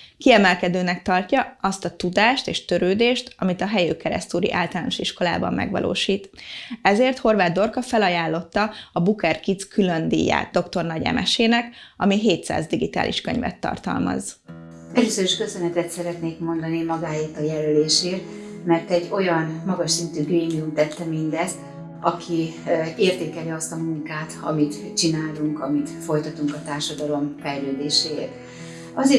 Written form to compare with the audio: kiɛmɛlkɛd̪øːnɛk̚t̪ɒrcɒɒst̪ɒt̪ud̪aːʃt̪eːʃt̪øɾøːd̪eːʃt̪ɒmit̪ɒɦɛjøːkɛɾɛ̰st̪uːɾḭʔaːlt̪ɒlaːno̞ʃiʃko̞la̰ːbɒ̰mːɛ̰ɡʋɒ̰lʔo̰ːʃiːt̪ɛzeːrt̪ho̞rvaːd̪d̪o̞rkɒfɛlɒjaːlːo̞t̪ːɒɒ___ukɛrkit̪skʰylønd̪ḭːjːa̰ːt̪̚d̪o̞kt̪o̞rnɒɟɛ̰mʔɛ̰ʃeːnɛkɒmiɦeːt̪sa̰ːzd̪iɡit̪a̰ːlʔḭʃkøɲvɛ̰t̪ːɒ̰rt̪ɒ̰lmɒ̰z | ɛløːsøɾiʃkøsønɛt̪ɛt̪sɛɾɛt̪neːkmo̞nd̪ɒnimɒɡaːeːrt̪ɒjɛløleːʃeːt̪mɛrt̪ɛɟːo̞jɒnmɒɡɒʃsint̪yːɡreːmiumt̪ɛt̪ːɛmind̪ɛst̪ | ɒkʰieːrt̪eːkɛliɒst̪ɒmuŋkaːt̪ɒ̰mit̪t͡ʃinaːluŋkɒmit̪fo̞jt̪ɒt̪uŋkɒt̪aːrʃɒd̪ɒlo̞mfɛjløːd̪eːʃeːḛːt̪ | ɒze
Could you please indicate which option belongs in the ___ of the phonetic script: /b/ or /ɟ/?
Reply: b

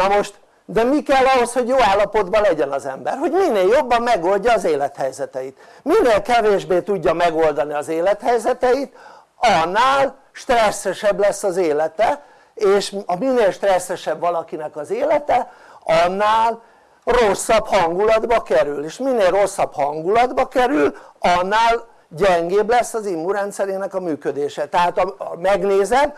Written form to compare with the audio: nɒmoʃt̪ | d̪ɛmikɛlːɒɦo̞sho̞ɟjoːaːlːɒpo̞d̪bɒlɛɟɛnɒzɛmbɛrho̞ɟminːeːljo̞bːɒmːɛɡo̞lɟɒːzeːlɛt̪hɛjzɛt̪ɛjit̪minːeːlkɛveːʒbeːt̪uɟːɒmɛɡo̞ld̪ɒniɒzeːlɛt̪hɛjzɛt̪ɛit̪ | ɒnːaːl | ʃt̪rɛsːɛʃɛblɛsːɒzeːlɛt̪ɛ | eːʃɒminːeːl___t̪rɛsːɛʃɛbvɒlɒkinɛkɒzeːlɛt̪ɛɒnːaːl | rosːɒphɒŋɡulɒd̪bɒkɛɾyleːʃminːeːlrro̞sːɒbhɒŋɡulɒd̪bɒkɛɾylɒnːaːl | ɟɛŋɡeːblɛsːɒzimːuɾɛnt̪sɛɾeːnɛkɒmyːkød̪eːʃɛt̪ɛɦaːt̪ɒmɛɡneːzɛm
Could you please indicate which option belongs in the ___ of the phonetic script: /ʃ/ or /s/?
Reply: ʃ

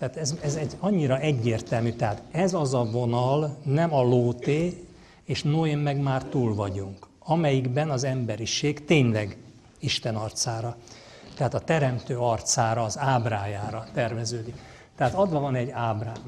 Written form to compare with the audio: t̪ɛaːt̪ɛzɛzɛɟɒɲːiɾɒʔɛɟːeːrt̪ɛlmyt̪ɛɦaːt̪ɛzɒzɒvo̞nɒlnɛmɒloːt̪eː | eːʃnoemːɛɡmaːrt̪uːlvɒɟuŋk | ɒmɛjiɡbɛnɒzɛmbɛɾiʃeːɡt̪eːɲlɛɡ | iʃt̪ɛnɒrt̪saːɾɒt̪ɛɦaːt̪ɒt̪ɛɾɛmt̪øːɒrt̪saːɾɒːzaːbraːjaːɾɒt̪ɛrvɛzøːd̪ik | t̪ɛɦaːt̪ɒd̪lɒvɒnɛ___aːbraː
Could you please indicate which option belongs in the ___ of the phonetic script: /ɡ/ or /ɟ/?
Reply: ɟ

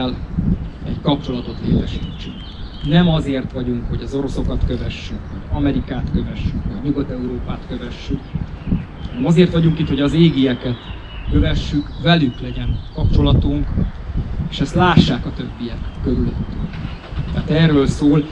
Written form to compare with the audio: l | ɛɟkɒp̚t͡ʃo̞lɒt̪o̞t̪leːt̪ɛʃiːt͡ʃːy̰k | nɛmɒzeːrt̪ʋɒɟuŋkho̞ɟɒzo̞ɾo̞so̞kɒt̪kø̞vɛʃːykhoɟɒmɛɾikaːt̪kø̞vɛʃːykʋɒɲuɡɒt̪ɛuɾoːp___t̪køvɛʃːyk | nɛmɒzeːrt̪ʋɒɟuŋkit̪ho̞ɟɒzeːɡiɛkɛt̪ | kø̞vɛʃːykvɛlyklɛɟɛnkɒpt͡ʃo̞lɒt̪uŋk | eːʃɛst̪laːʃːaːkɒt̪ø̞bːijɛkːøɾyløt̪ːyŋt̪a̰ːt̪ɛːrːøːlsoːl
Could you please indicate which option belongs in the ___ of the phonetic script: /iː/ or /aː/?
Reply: aː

